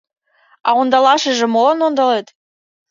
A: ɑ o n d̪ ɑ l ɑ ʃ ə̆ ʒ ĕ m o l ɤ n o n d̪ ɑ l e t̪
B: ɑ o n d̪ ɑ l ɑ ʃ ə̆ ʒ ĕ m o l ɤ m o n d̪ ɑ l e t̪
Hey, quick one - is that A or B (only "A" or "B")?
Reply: A